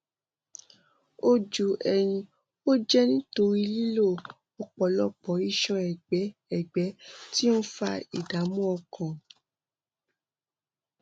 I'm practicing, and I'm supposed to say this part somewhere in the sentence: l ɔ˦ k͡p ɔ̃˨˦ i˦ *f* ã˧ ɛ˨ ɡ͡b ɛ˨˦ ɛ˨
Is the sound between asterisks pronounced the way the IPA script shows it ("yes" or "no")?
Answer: no